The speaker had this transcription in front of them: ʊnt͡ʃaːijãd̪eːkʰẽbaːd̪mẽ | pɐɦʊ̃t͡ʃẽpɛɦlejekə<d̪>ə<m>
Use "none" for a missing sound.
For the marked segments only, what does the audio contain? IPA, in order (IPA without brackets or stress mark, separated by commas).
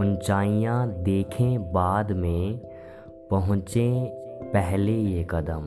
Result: d̪, m